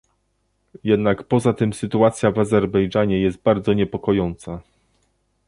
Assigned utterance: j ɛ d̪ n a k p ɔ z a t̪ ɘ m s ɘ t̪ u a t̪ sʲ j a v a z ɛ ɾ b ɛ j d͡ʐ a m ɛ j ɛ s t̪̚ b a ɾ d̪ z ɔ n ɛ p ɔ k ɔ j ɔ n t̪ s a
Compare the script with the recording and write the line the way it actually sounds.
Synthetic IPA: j ɛ d̪ n a k p ɔ z a t̪ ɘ m s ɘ t̪ u a t̪ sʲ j a v a z ɛ ɾ b ɛ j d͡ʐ a ɲ ɛ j ɛ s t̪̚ b a ɾ d̪ z ɔ ɲ ɛ p ɔ k ɔ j ɔ n t̪ s a